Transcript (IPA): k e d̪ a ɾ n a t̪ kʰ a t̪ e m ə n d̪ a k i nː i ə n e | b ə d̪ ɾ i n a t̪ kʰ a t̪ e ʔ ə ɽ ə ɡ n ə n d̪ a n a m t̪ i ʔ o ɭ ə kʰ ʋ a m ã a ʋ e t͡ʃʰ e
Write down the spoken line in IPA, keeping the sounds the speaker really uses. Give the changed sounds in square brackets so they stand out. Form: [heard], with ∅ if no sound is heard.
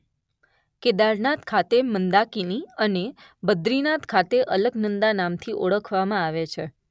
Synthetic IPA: k e d̪ a ɾ n a t̪ kʰ a t̪ e m ə n d̪ a k i [n] i ə n e | b ə d̪ ɾ i n a t̪ kʰ a t̪ e ʔ ə [l] ə ɡ n ə n d̪ a n a m [t̪ʰ] i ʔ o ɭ ə kʰ ʋ a m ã a ʋ e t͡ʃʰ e

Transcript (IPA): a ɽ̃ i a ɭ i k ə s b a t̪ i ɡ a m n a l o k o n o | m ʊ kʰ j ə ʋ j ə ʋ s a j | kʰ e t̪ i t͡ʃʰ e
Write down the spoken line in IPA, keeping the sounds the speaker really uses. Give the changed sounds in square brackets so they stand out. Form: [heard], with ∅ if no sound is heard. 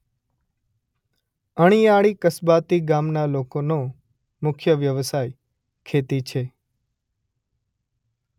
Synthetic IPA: [ə] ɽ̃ i a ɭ i k ə s b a t̪ i ɡ a m n a l o k o n o | m ʊ kʰ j ə ʋ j ə ʋ s a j | kʰ e t̪ i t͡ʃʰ e

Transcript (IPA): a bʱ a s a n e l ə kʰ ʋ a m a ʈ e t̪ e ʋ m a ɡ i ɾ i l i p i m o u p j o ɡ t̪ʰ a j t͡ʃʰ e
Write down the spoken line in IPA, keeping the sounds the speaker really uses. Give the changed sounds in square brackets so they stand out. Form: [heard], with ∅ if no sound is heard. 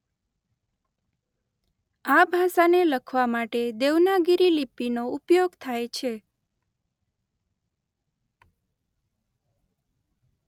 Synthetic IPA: a bʱ a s a n e l ə kʰ ʋ a m a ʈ e [d̪] e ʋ [n] a ɡ i ɾ i l i p i [n] o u p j o ɡ t̪ʰ a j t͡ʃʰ e

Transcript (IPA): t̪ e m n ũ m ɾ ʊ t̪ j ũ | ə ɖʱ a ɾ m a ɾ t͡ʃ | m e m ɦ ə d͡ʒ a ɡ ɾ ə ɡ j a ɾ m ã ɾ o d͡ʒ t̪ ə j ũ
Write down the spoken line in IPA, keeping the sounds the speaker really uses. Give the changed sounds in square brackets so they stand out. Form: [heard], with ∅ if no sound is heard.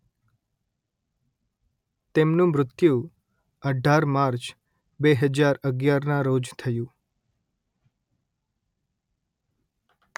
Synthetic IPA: t̪ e m n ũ m ɾ ʊ t̪ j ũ | ə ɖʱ a ɾ m a ɾ t͡ʃ | [b] e [∅] ɦ ə d͡ʒ a [∅] ɾ ə ɡ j a ɾ [n] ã ɾ o d͡ʒ [t̪ʰ] ə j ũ

